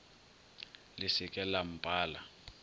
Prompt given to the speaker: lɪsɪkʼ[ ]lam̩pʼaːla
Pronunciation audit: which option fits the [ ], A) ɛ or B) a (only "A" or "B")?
A